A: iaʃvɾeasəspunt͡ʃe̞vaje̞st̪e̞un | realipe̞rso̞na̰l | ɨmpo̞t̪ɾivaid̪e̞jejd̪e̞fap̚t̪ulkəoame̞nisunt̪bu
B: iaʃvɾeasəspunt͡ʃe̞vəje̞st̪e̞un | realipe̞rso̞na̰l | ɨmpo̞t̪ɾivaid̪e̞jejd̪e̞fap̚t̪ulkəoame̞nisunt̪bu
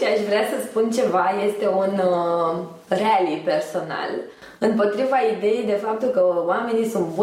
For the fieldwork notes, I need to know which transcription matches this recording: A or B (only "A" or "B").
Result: A